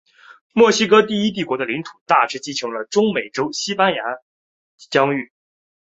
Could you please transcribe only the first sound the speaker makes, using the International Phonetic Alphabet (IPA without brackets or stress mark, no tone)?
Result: m